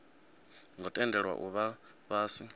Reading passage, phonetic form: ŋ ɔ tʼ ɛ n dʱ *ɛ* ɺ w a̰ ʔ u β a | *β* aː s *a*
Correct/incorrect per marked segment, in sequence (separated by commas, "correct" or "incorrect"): correct, correct, incorrect